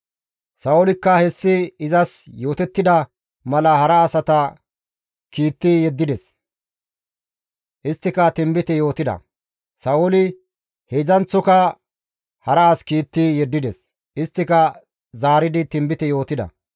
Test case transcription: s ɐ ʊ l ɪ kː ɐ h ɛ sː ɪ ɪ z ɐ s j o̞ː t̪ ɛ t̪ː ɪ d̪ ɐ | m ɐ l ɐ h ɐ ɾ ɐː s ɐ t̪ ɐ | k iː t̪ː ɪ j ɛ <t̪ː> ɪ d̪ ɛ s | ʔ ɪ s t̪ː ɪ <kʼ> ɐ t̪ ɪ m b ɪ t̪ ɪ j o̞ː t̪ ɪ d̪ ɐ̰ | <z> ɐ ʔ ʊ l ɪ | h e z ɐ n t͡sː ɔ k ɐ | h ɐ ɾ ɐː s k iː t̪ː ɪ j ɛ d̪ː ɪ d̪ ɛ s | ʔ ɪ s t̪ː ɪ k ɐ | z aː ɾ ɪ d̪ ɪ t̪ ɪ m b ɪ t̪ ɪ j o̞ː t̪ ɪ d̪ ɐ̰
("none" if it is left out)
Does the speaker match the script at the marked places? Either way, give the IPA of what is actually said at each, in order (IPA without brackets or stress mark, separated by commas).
d̪ː, k, s